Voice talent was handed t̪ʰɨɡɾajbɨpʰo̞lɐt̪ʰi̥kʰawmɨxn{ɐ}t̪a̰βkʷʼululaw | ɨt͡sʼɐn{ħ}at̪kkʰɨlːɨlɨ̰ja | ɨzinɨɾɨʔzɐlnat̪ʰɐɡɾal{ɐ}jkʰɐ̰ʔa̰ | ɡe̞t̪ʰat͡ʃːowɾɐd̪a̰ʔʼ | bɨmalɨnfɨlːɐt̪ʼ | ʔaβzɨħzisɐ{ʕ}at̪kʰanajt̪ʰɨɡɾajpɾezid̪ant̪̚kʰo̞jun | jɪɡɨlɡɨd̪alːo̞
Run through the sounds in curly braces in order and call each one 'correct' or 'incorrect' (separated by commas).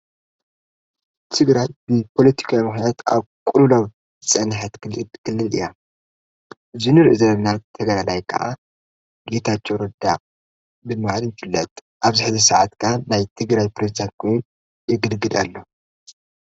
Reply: incorrect, correct, incorrect, correct